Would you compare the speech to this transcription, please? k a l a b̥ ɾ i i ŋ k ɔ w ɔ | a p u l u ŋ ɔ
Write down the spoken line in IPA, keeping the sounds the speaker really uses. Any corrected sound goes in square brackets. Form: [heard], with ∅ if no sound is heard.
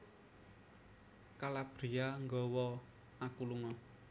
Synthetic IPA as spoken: k a l a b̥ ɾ i [a] ŋ [ɡ] ɔ w ɔ | a [k] u l u ŋ ɔ